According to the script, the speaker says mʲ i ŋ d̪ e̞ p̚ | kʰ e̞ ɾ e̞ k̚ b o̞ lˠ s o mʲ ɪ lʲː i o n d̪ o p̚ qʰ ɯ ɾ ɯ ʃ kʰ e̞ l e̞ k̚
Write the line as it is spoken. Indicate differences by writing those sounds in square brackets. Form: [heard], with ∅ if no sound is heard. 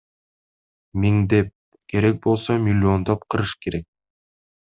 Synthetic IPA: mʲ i ŋ d̪ e̞ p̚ | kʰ e̞ ɾ e̞ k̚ b o̞ lˠ s o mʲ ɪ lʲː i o n d̪ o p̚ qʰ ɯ ɾ ɯ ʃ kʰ e̞ [ɾ] e̞ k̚